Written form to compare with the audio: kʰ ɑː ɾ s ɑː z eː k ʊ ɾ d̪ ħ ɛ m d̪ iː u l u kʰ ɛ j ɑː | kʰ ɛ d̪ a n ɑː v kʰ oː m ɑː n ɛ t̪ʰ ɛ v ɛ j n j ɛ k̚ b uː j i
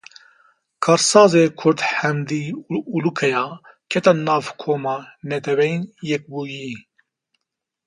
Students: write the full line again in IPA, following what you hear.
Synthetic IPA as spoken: kʰ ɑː ɾ s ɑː z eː kʰ ʊ ɾ d̪ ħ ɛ m d̪ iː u l u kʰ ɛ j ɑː | kʰ ɛ t̪ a n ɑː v kʰ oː m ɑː n ɛ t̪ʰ ɛ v ɛ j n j ɛ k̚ b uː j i